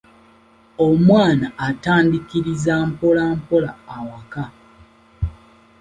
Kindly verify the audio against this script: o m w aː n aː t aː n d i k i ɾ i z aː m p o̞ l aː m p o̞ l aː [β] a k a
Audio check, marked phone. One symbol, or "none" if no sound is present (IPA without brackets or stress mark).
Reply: w